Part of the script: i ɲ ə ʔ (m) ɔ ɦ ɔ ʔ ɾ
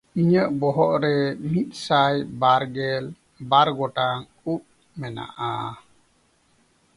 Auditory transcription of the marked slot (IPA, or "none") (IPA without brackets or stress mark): b